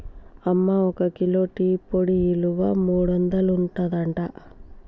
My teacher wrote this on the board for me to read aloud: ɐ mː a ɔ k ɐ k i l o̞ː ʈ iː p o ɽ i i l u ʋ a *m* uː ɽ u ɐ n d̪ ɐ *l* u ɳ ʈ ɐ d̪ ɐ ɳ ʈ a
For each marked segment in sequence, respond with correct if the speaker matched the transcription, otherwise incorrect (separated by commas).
correct, correct